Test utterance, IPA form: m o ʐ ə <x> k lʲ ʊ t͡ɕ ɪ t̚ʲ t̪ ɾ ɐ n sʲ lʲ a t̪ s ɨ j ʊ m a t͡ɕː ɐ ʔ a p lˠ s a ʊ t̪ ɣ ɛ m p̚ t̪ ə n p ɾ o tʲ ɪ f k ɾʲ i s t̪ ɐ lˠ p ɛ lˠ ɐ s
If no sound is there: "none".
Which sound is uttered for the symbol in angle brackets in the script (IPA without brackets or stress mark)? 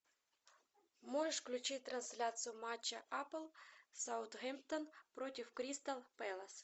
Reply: ʂ